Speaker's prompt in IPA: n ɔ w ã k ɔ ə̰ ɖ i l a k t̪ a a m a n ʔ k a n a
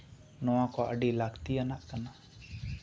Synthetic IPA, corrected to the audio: n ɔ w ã k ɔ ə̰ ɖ i l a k t̪ i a n a ʔ k a n a